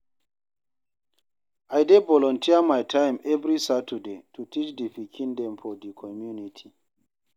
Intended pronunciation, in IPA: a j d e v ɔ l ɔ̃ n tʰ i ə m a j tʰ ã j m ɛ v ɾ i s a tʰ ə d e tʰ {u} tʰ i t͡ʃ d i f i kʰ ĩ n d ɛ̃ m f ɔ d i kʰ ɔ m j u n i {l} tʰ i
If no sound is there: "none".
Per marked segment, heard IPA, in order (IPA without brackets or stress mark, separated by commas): u, none